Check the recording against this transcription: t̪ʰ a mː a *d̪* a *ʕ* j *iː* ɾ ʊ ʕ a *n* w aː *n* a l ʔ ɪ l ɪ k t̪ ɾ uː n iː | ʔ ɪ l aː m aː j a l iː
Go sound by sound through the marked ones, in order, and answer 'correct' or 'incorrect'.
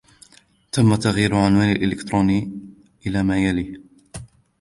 incorrect, incorrect, correct, correct, correct

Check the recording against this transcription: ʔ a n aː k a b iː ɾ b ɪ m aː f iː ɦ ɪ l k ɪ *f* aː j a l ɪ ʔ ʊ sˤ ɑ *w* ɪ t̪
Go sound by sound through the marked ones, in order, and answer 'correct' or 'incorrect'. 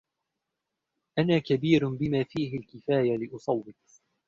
correct, incorrect

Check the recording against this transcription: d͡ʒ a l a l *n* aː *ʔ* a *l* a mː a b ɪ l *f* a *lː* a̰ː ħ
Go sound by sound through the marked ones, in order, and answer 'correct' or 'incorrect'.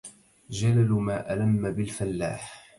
incorrect, correct, correct, correct, correct

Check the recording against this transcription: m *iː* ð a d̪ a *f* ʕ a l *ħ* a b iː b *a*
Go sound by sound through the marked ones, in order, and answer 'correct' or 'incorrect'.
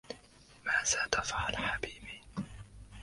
incorrect, correct, correct, incorrect

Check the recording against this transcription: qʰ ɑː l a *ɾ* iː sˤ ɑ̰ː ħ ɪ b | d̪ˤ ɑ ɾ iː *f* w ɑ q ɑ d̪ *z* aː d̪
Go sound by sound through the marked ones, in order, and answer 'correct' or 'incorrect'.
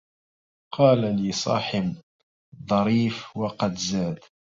incorrect, correct, correct

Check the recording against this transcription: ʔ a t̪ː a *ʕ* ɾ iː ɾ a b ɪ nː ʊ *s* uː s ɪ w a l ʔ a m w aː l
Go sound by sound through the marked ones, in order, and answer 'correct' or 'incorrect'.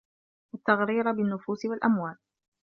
incorrect, incorrect

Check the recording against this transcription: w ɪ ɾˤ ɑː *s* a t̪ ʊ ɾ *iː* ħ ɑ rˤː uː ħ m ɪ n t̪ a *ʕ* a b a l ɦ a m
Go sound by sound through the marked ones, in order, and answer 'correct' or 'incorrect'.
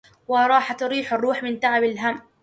incorrect, correct, correct

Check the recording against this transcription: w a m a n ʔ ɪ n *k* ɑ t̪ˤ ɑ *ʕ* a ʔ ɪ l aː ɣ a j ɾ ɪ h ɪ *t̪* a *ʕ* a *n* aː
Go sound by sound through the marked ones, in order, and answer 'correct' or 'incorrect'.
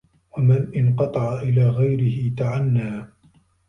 incorrect, correct, correct, correct, incorrect

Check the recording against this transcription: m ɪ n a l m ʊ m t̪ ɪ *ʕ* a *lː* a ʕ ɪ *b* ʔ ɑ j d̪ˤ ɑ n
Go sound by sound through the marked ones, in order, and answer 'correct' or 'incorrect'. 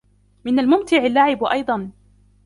correct, correct, correct

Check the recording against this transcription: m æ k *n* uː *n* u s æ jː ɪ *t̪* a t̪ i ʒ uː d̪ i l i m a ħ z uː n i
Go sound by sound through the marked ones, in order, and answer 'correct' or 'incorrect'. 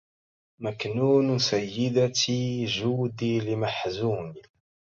correct, correct, incorrect

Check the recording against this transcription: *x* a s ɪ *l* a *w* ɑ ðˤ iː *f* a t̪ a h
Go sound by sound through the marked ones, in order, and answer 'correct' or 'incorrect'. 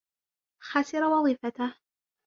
correct, incorrect, correct, correct

